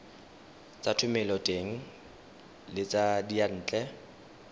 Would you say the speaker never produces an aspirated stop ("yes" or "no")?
no